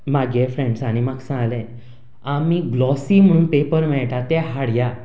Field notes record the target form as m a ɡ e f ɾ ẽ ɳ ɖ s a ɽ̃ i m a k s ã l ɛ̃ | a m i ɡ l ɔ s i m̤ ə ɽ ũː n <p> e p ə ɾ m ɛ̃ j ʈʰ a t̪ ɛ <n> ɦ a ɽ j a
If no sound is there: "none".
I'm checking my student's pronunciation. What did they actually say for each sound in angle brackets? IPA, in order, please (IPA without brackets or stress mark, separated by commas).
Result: p, none